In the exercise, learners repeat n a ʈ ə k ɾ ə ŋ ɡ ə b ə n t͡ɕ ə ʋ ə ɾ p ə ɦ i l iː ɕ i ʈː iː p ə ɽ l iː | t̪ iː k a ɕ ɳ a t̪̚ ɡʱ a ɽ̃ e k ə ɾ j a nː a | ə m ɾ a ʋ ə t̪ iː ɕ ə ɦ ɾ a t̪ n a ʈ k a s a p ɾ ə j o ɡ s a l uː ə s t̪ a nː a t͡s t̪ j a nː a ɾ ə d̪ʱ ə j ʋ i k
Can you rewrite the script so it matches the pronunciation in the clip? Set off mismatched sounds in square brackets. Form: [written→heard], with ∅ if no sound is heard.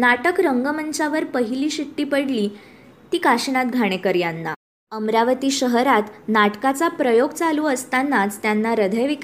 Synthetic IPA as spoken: n a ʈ ə k ɾ ə ŋ ɡ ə [b→m] ə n t͡ɕ [ə→a] ʋ ə ɾ p ə ɦ i l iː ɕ i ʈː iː p ə ɽ l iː | t̪ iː k a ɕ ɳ a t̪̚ ɡʱ a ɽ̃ e k ə ɾ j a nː a | ə m ɾ a ʋ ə t̪ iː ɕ ə ɦ ɾ a t̪ n a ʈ k a [s→t͡s] a p ɾ ə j o ɡ [s→t͡s] a l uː ə s t̪ a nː a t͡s t̪ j a nː a ɾ ə d̪ʱ ə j ʋ i k